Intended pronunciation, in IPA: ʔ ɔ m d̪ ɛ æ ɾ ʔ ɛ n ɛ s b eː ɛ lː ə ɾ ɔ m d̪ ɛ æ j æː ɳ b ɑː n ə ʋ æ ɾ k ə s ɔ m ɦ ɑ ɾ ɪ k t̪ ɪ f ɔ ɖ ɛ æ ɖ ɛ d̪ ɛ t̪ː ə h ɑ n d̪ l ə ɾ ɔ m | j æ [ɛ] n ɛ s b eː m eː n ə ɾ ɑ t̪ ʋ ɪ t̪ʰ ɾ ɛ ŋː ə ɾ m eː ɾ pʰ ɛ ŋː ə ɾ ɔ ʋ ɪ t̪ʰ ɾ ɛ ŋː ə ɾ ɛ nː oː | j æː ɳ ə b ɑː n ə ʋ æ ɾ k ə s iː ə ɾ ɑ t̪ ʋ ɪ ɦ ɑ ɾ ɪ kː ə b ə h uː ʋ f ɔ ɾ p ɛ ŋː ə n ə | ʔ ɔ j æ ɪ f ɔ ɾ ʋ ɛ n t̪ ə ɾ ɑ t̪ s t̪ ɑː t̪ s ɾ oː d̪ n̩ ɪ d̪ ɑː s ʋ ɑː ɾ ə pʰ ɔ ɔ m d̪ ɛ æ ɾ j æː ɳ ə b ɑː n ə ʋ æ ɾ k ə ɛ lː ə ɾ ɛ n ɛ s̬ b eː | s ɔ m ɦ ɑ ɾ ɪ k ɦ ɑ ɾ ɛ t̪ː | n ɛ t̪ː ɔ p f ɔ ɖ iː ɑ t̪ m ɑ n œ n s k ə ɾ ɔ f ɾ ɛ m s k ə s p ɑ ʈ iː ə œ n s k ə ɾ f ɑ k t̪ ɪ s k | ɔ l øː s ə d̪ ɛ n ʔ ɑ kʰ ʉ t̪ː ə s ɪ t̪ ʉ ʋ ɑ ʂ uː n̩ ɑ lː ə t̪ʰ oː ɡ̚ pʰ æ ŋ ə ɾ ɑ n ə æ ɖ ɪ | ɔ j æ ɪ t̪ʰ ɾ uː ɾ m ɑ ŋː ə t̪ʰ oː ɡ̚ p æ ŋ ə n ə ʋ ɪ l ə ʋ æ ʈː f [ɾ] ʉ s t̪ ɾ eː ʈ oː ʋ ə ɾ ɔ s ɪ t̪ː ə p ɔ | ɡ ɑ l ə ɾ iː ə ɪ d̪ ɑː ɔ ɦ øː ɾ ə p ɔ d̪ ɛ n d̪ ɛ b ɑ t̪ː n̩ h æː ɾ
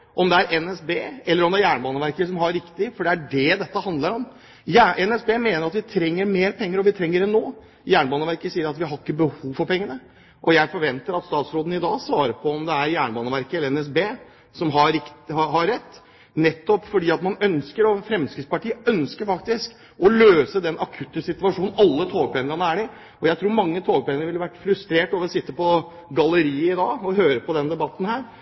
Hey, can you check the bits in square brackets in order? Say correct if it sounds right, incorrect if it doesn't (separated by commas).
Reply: correct, correct